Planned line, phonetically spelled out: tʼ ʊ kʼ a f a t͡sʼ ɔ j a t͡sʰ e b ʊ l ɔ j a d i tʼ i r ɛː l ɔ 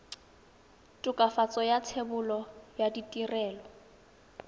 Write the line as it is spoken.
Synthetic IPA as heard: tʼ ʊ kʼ a f a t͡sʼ ɔ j a t͡sʰ e b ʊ l ɔ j a d i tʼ i r ɛː l ɔ